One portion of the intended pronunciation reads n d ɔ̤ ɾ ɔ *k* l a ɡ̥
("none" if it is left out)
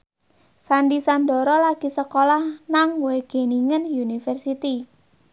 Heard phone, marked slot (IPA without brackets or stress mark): none